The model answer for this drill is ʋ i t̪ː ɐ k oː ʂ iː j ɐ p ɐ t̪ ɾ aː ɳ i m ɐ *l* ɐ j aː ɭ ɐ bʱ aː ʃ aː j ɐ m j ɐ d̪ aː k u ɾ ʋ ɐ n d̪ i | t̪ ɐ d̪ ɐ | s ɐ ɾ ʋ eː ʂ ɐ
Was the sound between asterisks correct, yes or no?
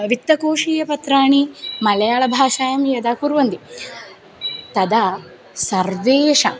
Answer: yes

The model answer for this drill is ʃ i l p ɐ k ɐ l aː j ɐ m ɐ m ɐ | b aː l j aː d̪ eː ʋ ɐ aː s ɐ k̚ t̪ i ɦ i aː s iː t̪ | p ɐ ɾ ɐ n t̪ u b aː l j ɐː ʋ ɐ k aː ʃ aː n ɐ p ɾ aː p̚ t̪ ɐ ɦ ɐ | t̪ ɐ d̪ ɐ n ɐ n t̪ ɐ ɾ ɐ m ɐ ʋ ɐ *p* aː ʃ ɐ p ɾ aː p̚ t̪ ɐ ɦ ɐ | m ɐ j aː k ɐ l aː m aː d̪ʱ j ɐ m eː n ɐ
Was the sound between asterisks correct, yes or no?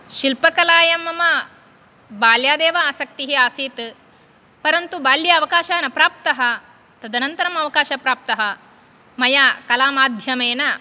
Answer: no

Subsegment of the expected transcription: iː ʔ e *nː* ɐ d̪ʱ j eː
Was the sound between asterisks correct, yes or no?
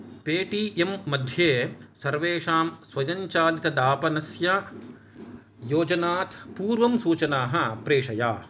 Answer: no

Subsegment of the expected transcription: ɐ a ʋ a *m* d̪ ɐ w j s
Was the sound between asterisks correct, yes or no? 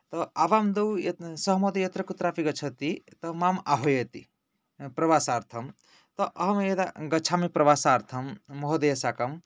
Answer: yes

